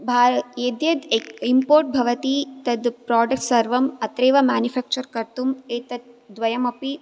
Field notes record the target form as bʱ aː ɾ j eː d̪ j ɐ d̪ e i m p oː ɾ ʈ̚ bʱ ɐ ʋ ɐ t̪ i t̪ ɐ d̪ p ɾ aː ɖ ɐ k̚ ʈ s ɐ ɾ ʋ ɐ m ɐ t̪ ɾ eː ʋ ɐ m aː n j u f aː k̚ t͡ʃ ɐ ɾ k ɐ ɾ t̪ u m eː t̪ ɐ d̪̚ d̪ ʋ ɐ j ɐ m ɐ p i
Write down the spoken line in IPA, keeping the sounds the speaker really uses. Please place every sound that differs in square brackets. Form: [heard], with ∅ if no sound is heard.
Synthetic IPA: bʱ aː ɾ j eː d̪ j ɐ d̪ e i m p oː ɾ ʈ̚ bʱ ɐ ʋ ɐ t̪ i t̪ ɐ d̪ p ɾ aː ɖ ɐ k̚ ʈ s ɐ ɾ ʋ ɐ m ɐ t̪ ɾ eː ʋ ɐ m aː n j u f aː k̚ t͡ʃ ɐ ɾ k ɐ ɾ t̪ u m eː t̪ ɐ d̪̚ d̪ ʋ ɐ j ɐ m ɐ p i